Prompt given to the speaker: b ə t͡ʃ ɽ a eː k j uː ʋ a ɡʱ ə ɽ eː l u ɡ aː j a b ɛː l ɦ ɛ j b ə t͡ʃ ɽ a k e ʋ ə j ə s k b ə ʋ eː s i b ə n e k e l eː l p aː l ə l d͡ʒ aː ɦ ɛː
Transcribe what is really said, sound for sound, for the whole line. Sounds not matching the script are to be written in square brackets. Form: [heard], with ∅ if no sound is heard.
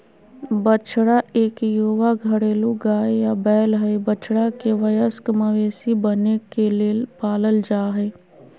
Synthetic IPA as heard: b ə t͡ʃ ɽ a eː k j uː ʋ a ɡʱ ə ɽ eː l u ɡ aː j a b ɛː l ɦ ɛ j b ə t͡ʃ ɽ a k e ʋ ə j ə s k [m] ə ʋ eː s i b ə n e k e l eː l p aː l ə l d͡ʒ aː ɦ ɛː